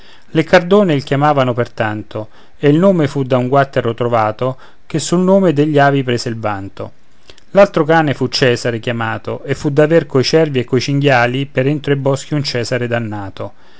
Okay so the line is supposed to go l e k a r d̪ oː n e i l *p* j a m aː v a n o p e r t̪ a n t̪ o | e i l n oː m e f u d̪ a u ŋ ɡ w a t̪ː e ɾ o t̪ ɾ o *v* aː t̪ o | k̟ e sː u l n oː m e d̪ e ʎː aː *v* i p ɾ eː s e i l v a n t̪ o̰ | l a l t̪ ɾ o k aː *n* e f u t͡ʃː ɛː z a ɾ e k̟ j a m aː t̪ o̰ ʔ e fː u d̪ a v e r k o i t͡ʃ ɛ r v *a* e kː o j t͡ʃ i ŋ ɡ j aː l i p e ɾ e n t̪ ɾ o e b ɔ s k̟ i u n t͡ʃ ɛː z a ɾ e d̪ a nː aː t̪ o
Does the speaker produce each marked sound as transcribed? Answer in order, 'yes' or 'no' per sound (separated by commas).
no, yes, yes, yes, no